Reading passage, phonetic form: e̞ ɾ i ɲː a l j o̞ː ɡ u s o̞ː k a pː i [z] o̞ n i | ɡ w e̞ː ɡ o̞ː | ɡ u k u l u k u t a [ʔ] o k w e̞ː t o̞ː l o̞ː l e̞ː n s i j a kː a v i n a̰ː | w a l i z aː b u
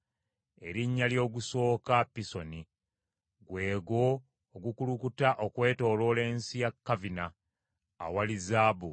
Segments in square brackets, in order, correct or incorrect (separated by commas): incorrect, correct